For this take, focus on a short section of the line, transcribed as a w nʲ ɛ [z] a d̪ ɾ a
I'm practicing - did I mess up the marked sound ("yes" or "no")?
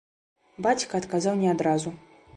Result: yes